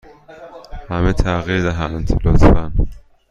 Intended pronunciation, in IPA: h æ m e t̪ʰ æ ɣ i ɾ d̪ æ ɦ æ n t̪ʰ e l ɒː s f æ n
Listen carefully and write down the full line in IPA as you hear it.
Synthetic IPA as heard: h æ m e t̪ʰ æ ɣ i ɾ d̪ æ ɦ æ n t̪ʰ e l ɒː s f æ n